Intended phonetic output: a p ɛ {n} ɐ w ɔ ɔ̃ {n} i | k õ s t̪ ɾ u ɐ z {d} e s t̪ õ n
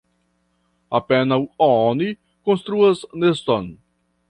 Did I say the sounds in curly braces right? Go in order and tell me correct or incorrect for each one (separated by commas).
correct, correct, incorrect